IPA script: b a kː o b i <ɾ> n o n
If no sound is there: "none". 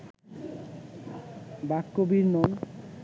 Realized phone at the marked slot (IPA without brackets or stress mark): ɾ